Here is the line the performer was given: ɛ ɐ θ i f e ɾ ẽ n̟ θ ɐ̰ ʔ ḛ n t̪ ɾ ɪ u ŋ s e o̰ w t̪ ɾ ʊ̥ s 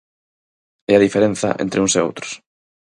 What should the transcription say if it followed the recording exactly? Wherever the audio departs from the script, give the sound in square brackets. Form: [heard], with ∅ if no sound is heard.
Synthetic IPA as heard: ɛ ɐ [ð] i f e ɾ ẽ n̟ θ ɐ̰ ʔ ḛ n t̪ ɾ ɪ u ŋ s e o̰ w t̪ ɾ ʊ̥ s